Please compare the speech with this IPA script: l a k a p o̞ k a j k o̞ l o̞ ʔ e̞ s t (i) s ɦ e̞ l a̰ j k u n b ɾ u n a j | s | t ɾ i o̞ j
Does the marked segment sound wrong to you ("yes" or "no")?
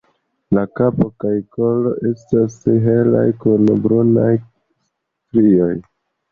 yes